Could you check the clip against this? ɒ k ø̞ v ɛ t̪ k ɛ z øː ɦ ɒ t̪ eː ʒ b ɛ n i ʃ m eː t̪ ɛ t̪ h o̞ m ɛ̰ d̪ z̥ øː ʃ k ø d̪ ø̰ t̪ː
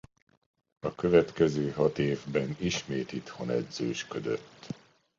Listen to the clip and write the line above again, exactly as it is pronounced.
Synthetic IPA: ɒ k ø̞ v ɛ t̪ k ɛ z øː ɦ ɒ t̪ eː v b ɛ n i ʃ m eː t̪ i t̪ h o̞ n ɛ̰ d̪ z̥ øː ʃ k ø d̪ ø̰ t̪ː